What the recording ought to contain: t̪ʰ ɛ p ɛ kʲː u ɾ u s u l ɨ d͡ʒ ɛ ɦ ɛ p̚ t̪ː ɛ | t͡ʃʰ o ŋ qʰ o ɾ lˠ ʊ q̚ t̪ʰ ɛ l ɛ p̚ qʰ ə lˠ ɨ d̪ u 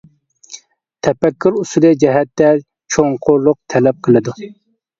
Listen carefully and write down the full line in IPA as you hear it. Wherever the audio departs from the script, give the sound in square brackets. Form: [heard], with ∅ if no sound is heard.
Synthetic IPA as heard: t̪ʰ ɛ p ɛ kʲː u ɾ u s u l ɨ d͡ʒ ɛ ɦ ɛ [∅] t̪ː ɛ | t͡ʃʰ o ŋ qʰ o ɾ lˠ ʊ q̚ t̪ʰ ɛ l ɛ p̚ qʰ ə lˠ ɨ d̪ u